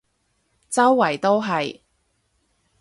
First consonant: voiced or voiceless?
voiceless